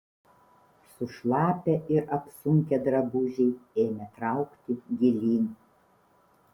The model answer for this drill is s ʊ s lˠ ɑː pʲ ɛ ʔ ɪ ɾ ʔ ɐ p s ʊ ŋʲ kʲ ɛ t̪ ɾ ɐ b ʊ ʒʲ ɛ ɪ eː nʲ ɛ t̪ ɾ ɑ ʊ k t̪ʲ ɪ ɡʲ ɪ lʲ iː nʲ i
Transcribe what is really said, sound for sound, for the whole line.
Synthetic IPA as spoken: s ʊ ʃ lˠ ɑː pʲ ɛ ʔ ɪ ɾ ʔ ɐ p s ʊ ŋʲ kʲ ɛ d̪ ɾ ɐ b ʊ ʒʲ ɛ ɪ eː mʲ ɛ t̪ ɾ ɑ ʊ k t̪ʲ ɪ ɡʲ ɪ lʲ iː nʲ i